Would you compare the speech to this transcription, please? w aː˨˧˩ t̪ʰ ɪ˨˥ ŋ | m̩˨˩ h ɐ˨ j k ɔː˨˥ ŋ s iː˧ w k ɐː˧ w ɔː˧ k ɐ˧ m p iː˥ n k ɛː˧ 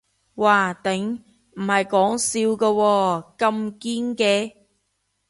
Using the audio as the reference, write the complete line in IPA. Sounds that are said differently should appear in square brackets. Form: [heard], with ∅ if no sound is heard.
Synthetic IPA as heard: w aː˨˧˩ [t̪] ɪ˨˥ ŋ | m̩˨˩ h ɐ˨ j k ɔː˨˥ ŋ s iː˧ w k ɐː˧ w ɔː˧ k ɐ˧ m [k] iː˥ n k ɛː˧